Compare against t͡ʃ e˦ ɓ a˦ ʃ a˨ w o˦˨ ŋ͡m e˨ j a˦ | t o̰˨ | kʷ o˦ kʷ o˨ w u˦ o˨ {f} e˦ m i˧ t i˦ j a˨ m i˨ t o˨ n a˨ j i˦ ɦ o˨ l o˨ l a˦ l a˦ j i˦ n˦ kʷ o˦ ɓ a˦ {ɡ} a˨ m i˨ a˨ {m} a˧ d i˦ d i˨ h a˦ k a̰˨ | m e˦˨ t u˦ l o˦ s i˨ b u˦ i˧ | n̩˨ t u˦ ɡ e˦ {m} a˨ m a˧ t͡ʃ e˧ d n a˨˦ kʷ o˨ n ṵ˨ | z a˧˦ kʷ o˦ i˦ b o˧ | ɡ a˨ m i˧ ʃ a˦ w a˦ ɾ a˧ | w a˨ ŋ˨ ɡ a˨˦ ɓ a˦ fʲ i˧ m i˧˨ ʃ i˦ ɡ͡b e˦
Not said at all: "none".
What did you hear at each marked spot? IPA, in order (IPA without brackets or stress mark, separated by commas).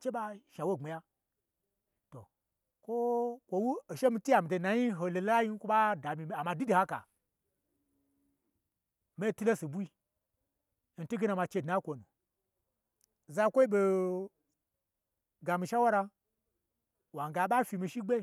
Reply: ʃ, d, m, n